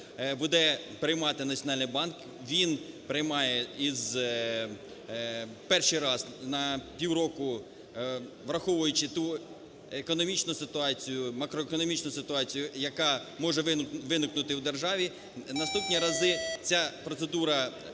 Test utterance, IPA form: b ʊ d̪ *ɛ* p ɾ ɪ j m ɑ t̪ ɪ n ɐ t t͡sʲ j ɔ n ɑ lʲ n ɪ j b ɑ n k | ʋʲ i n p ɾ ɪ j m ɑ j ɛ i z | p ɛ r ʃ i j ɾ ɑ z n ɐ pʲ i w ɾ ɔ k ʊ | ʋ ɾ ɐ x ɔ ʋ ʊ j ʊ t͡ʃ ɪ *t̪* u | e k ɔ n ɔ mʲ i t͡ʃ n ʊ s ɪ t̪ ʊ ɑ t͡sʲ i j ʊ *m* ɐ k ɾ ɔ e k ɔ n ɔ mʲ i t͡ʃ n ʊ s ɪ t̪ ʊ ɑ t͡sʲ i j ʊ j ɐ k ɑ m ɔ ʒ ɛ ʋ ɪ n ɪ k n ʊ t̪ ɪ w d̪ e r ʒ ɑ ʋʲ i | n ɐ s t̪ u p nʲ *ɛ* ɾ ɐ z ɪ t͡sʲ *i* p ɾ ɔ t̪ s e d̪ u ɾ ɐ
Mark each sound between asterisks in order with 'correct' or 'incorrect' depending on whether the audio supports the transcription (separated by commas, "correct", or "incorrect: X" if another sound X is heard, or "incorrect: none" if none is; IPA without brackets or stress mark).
correct, correct, correct, incorrect: i, incorrect: a